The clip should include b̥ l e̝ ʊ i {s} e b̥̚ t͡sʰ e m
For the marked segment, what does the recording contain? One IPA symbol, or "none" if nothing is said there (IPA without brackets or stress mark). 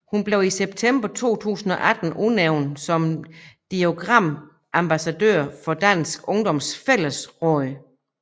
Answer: s